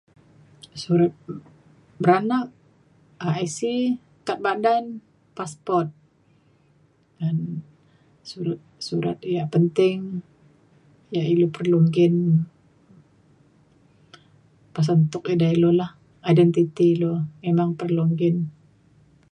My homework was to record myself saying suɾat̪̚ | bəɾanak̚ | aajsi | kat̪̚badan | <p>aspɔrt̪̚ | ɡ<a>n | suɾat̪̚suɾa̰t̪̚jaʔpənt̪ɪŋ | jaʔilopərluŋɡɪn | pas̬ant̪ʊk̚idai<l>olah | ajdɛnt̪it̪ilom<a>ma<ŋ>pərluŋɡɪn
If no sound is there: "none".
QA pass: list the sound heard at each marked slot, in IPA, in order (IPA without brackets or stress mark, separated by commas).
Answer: p, a, l, e, ŋ